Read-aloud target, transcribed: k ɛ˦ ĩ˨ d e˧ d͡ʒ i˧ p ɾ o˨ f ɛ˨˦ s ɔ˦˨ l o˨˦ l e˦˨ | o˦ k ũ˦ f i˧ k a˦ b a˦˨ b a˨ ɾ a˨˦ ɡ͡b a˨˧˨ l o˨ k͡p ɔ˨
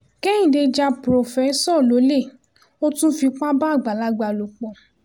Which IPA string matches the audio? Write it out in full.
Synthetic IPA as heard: k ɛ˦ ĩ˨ d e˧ d͡ʒ a˧ p ɾ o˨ f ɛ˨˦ s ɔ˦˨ l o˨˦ l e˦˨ | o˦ t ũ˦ f i˧ k͡p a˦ b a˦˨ ɡ͡b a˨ l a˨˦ ɡ͡b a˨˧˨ l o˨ k͡p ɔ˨